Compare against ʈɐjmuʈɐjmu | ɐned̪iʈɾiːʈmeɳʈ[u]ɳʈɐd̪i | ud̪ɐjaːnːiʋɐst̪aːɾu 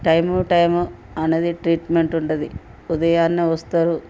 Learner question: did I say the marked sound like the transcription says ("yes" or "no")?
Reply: yes